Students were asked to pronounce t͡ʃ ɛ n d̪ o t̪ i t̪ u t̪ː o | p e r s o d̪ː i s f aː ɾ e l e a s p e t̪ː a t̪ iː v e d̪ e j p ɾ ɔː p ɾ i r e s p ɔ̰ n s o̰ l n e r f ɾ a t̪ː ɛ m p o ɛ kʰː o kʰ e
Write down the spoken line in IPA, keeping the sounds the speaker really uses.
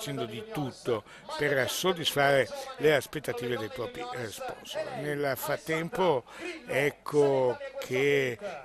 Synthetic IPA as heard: t͡ʃ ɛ n d̪ o d̪ i t̪ u t̪ː o | p e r s o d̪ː i s f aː ɾ e l e a s p e t̪ː a t̪ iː v e d̪ e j p ɾ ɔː p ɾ i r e s p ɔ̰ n s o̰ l n e l f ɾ a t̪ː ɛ m p o ɛ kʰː o kʰ e